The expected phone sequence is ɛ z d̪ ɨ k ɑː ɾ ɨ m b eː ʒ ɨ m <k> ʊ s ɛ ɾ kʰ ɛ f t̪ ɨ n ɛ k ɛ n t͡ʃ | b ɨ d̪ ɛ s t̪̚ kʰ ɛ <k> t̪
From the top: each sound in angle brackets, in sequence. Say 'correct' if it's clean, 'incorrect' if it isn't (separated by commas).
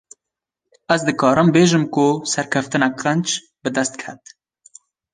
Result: correct, incorrect